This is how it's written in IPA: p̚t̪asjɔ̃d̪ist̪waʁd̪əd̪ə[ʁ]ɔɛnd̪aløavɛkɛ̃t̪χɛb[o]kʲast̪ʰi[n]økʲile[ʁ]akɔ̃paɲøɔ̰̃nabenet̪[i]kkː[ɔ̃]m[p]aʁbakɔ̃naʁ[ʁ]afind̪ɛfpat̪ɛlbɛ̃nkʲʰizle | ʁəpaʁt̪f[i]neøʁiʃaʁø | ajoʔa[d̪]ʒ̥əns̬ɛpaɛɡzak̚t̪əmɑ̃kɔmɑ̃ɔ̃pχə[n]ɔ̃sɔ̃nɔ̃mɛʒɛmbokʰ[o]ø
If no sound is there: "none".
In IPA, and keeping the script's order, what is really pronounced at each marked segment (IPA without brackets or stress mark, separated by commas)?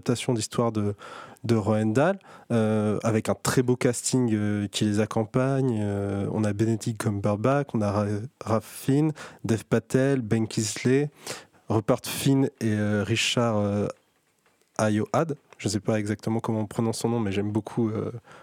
ʁ, o, ŋ, z, i, ɔ, b, ʁ, i, d̪, n, u